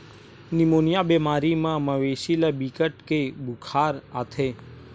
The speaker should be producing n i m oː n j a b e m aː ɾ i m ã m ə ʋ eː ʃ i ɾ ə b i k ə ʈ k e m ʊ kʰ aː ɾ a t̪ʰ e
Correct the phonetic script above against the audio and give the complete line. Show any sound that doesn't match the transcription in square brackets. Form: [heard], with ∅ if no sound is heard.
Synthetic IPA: n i m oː n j a b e m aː ɾ i m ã m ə ʋ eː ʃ i [l] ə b i k ə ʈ k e [b] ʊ kʰ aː ɾ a t̪ʰ e

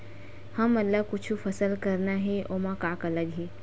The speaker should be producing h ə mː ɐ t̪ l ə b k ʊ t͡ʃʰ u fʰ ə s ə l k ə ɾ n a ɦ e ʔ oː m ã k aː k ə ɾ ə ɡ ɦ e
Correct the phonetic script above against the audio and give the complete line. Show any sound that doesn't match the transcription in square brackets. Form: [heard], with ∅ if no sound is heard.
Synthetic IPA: h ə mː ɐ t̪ l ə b k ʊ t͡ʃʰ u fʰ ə s ə l k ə ɾ n a ɦ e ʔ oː m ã k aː k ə [l] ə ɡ ɦ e

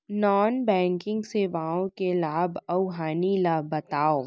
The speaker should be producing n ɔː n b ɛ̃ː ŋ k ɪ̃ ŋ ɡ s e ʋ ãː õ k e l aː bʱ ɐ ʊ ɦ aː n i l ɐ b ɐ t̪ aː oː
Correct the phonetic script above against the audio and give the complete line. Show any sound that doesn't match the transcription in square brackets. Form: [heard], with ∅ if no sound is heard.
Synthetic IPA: n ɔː n b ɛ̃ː ŋ k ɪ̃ ŋ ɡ s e ʋ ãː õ k e l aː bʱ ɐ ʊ ɦ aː n i l [a] b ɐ t̪ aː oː

